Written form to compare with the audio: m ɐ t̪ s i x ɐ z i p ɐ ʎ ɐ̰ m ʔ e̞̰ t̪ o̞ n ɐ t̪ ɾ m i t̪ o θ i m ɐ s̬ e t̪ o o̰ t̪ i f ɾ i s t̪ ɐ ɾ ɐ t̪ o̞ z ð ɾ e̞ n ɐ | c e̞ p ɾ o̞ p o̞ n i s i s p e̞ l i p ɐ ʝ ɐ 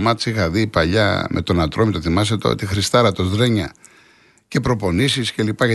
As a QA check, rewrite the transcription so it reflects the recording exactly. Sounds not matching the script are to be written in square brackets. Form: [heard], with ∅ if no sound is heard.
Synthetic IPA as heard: m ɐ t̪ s i x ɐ [ð] i p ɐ ʎ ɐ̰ m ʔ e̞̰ t̪ o̞ n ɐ t̪ ɾ m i t̪ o θ i m ɐ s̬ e t̪ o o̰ t̪ i [x] ɾ i s t̪ ɐ ɾ ɐ t̪ o̞ z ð ɾ e̞ [ɲ] ɐ | c e̞ p ɾ o̞ p o̞ n i s i s [c] e̞ l i p ɐ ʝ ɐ